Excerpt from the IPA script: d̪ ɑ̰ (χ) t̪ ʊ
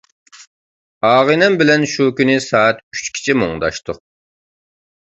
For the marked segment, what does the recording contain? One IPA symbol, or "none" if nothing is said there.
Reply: ʃ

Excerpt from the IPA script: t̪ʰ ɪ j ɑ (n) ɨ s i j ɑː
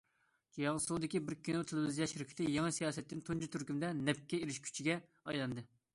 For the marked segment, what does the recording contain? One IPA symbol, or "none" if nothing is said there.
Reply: ŋ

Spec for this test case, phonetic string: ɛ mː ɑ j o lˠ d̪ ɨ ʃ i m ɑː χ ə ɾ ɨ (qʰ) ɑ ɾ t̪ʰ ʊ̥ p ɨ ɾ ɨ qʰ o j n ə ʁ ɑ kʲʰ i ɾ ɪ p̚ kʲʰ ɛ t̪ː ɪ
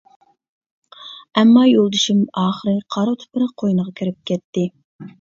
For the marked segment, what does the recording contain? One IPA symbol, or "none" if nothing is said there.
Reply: qʰ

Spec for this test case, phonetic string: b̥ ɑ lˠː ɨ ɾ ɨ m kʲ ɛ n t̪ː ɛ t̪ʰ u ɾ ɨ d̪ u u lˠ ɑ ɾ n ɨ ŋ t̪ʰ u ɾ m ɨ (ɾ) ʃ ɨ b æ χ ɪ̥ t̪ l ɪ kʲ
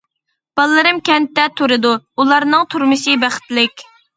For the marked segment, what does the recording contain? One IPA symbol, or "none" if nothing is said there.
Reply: none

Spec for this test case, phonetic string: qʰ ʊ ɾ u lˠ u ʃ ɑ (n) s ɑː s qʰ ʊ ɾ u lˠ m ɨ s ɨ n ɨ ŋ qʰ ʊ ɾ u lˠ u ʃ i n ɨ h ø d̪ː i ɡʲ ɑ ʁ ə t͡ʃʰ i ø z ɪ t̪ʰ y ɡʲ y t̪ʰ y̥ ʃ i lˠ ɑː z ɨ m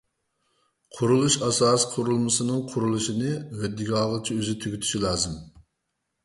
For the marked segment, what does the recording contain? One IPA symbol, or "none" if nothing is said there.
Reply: none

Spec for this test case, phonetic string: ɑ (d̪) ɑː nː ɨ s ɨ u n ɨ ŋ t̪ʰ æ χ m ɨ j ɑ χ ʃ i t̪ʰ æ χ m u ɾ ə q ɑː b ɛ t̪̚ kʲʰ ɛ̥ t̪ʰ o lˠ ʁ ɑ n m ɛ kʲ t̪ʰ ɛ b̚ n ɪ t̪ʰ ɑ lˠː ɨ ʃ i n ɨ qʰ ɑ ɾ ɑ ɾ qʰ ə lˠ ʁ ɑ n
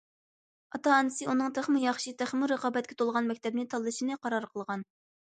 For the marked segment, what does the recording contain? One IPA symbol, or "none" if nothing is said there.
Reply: t̪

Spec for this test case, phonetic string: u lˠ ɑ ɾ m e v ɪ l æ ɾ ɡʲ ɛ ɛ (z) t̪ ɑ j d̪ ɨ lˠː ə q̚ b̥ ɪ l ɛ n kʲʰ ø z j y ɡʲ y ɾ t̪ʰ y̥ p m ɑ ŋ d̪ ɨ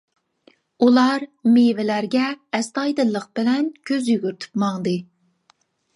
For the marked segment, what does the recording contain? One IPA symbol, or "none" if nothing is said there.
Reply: s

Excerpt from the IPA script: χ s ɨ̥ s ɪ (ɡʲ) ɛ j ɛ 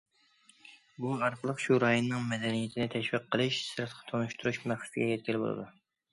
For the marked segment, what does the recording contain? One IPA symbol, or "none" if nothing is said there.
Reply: ɡʲ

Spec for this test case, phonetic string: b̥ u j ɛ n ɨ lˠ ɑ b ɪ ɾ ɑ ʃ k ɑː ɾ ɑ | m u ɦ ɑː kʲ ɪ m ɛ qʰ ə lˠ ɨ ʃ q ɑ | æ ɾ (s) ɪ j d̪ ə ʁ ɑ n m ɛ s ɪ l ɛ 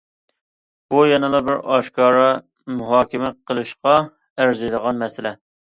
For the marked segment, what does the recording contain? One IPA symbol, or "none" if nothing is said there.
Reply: z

